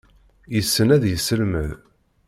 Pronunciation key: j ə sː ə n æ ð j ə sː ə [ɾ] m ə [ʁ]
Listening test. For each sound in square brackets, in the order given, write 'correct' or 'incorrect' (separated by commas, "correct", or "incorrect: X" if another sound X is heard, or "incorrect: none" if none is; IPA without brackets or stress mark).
incorrect: l, incorrect: ð